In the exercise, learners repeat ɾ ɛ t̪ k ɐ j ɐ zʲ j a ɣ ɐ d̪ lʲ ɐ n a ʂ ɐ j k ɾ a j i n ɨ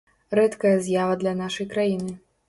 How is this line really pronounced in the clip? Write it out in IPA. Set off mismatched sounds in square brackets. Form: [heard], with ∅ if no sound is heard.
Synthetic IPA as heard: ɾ ɛ t̪ k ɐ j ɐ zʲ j a [v] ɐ d̪ lʲ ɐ n a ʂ ɐ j k ɾ a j i n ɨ